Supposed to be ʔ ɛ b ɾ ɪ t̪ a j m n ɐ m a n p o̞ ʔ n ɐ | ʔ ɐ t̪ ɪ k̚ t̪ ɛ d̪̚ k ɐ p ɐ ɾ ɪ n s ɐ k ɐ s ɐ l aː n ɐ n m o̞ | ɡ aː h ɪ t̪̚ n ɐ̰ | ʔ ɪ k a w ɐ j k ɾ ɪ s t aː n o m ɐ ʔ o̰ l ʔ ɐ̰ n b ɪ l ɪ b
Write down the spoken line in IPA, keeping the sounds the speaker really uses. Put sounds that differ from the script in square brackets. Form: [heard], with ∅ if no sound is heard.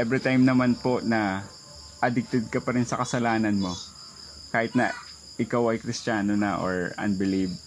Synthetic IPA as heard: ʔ ɛ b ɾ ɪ t̪ a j m n ɐ m a n p o̞ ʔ n ɐ | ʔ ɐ [d̪] ɪ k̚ t̪ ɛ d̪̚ k ɐ p ɐ ɾ ɪ n s ɐ k ɐ s ɐ l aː n ɐ n m o̞ | [k] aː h ɪ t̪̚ n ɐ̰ | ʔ ɪ k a w ɐ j k ɾ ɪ s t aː n o [n] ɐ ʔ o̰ [ɹ] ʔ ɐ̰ n b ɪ l [i] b